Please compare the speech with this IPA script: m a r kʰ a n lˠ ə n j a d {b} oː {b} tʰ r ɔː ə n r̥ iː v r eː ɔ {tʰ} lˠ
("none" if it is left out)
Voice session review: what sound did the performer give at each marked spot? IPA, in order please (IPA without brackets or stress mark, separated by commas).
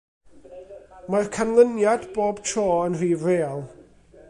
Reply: b, b, none